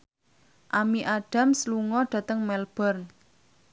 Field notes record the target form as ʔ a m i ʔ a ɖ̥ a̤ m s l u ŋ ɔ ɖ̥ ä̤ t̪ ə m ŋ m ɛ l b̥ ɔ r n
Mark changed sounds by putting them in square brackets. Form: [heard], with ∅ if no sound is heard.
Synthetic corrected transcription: ʔ a m i ʔ a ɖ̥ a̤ m s l u ŋ ɔ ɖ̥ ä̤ t̪ ə [∅] ŋ m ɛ l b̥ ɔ r n